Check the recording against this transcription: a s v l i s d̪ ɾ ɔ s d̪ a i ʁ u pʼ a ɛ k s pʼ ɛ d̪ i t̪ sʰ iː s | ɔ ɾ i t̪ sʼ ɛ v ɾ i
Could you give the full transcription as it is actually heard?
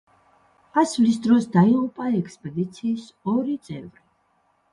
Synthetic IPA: a s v l i s d̪ ɾ ɔ s d̪ a i ʁ u pʼ a ɛ k s pʼ ɛ d̪ i t̪ sʰ iː s | ɔ ɾ i t̪ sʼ ɛ v ɾ i